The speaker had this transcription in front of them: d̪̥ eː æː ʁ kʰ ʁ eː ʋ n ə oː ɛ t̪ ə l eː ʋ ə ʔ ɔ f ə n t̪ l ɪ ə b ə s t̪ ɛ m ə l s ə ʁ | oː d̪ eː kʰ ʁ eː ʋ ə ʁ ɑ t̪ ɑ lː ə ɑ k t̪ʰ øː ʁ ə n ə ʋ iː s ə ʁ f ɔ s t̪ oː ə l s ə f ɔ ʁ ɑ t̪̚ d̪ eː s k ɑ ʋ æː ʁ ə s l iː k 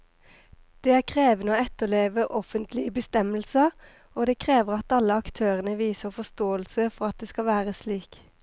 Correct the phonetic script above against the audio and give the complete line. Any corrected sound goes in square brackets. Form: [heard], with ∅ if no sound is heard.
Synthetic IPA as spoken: d̪̥ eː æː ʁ kʰ ʁ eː ʋ n ə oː ɛ t̪ ə l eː ʋ ə ʔ ɔ f ə n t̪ l ɪ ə b ə s t̪ ɛ m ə l s ə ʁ | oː d̪ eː kʰ ʁ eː ʋ ə ʁ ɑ t̪ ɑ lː ə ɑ k t̪ʰ øː ʁ ə n ə ʋ iː s ə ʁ f ɔ s t̪ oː ə l s ə f ɔ ʁ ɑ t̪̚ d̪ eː s k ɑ ʋ æː ʁ ə s l iː k